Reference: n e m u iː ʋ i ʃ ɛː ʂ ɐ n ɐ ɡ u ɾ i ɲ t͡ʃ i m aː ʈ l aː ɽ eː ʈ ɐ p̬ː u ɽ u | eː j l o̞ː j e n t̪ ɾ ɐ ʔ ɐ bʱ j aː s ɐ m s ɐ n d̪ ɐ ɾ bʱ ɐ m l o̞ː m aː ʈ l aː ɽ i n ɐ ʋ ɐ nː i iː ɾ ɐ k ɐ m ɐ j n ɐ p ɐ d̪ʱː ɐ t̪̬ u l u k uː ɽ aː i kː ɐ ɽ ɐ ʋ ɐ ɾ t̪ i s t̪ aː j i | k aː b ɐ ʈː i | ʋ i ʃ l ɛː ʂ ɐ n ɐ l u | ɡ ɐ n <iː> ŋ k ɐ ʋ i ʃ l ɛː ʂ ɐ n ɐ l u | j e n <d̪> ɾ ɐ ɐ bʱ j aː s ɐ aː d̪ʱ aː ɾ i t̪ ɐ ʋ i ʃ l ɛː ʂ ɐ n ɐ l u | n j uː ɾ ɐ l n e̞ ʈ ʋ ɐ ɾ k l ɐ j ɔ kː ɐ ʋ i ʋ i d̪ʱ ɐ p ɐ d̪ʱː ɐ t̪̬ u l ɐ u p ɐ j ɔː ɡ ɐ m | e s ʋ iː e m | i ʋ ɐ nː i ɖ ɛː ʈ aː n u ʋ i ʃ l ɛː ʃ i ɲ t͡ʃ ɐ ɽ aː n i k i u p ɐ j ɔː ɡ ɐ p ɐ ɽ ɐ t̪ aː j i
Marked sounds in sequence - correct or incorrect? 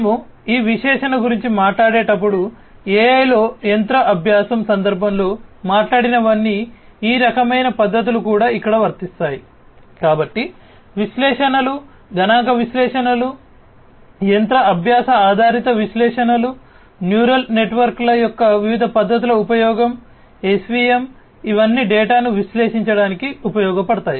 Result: incorrect: aː, incorrect: t̪

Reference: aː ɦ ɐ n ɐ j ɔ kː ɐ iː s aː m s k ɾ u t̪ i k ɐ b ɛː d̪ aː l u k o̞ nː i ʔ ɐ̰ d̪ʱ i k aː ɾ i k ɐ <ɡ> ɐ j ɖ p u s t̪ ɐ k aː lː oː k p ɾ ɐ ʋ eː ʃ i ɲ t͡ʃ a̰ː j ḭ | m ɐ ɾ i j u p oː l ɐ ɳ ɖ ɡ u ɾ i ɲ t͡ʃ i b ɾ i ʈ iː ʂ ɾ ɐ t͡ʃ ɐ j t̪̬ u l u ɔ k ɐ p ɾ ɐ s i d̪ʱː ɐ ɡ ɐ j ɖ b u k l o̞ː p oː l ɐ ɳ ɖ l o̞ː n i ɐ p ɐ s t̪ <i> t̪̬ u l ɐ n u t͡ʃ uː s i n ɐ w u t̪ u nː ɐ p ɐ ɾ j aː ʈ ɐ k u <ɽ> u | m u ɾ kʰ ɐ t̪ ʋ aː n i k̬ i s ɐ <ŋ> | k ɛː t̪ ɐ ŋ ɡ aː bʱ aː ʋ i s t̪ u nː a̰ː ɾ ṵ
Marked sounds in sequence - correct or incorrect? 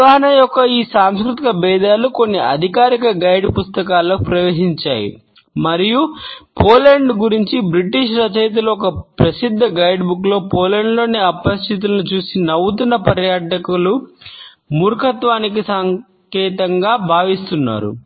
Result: correct, correct, incorrect: l, correct

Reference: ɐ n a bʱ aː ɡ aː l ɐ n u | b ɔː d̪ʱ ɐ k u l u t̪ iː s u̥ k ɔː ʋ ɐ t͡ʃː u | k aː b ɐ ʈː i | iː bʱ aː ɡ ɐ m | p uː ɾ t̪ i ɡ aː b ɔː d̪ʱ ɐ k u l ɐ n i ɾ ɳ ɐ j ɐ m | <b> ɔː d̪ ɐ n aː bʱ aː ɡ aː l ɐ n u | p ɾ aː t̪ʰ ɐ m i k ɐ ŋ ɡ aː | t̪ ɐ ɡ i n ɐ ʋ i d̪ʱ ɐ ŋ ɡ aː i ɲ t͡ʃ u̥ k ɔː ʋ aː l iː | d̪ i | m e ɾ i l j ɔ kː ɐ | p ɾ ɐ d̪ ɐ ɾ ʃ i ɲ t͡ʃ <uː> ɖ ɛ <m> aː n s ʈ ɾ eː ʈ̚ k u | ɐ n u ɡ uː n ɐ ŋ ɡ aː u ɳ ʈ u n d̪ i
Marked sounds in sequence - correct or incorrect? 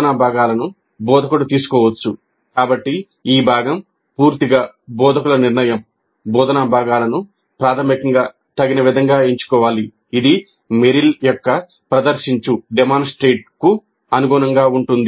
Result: correct, incorrect: u, correct

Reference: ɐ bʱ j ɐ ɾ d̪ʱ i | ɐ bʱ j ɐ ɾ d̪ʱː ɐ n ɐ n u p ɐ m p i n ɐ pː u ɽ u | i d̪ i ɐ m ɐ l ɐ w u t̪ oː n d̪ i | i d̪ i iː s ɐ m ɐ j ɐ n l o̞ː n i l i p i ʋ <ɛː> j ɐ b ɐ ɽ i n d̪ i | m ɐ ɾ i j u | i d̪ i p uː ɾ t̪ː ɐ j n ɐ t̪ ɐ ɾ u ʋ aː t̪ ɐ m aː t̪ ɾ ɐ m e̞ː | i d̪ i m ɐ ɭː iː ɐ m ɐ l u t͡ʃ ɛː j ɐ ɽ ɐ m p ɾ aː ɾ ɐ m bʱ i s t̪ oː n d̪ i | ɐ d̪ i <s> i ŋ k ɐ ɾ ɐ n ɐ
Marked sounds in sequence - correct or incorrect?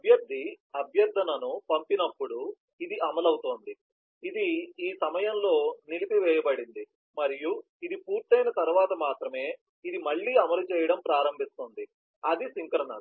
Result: correct, correct

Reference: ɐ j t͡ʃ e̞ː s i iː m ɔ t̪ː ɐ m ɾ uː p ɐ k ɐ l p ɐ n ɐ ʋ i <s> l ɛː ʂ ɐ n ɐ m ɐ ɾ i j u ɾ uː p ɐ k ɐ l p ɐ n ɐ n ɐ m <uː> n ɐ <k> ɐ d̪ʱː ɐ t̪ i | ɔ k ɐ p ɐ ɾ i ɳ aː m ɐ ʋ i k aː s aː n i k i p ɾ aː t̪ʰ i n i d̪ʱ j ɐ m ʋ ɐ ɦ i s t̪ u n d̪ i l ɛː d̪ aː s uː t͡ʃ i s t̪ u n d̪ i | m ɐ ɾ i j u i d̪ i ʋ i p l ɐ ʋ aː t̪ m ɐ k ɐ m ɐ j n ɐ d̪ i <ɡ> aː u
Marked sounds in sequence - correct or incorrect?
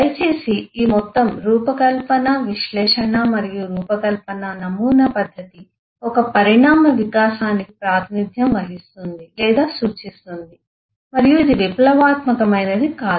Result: incorrect: ʃ, correct, incorrect: p, incorrect: k

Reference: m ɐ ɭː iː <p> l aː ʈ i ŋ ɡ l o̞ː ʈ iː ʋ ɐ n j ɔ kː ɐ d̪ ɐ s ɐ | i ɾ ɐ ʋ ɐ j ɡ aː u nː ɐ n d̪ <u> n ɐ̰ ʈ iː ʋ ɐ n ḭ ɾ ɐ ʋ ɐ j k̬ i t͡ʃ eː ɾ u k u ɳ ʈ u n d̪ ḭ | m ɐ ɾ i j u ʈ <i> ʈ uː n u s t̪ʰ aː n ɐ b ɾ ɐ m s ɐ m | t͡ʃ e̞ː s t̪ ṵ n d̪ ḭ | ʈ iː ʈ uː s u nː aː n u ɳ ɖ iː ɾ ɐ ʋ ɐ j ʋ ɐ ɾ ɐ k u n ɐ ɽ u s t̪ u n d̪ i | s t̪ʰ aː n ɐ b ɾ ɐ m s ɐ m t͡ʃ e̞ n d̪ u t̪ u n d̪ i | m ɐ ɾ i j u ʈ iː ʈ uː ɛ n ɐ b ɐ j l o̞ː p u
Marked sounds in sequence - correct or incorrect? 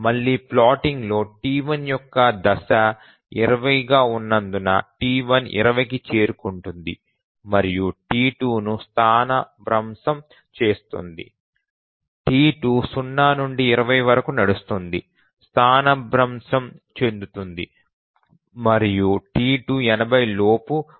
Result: correct, correct, incorrect: iː

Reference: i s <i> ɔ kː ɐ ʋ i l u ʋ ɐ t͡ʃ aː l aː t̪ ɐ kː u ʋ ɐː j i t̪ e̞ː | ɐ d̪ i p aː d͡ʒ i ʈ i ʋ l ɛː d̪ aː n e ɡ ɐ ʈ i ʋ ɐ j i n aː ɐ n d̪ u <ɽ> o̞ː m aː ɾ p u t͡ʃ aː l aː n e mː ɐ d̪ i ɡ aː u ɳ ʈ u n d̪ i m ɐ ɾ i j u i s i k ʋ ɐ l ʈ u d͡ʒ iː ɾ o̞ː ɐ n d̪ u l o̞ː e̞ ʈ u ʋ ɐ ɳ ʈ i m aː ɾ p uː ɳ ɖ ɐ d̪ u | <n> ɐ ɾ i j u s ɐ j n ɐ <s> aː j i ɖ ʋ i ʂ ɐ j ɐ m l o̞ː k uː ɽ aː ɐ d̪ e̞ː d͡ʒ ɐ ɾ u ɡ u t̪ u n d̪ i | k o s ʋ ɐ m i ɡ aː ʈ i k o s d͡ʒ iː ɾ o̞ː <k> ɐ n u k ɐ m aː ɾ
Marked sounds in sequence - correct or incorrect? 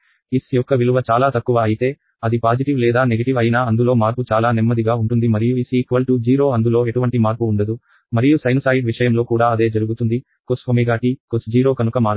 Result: incorrect: j, incorrect: l, incorrect: m, correct, correct

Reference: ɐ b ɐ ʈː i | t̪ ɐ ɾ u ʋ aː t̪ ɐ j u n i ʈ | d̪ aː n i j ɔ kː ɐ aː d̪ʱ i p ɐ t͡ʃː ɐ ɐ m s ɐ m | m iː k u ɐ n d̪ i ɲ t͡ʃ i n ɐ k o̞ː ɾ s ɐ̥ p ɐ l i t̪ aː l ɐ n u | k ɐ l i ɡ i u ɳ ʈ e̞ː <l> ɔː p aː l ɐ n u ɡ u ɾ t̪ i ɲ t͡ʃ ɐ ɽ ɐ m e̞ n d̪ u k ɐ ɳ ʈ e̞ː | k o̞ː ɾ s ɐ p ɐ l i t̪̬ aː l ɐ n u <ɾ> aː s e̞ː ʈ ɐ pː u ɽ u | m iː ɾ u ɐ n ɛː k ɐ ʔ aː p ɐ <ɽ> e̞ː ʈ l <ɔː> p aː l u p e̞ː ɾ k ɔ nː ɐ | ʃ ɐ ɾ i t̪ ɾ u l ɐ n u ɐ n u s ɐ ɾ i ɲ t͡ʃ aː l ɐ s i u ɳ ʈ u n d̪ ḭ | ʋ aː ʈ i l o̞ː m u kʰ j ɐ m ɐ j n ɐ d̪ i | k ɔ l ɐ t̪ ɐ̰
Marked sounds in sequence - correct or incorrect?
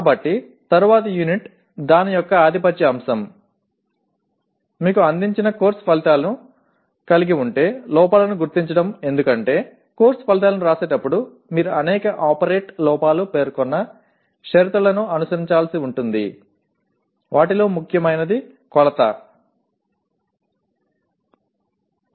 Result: correct, correct, incorrect: ɾ, correct

